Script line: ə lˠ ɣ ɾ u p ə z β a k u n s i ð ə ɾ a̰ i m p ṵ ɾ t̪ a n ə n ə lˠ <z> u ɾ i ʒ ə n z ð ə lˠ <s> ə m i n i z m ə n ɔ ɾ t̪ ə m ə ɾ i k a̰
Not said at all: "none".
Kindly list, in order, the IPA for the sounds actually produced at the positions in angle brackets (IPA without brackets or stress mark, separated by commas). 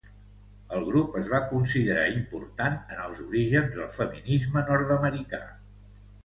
z, f